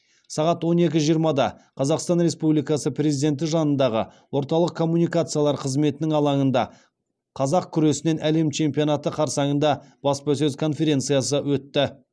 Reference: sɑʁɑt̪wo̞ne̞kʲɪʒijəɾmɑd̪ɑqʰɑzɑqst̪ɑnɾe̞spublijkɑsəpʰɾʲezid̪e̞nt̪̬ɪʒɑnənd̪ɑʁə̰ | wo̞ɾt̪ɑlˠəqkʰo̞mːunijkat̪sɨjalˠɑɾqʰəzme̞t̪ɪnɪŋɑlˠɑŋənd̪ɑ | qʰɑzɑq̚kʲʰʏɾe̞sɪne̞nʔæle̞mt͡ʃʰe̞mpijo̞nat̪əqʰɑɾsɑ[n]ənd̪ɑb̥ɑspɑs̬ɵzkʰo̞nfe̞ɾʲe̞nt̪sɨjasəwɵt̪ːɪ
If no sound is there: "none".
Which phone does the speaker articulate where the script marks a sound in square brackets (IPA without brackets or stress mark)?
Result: ɴ